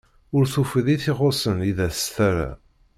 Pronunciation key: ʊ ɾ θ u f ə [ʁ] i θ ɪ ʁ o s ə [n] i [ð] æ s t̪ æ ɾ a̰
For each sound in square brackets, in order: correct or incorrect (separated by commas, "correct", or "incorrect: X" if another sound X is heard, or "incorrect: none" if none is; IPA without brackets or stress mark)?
incorrect: ð, correct, correct